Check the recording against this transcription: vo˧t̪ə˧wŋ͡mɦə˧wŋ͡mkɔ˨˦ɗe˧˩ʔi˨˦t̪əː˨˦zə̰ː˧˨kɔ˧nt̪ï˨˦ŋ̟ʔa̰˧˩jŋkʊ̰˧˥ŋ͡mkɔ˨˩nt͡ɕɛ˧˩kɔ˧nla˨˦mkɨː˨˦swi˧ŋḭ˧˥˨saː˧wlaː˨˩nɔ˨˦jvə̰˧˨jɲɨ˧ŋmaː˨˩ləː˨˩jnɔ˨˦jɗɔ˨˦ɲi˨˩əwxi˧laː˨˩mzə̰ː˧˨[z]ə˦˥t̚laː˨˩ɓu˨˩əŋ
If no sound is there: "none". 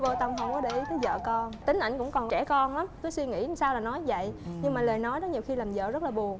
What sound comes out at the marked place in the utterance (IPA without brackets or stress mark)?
z